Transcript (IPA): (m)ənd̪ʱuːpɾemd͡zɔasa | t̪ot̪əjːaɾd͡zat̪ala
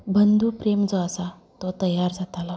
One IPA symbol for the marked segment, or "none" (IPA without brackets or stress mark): b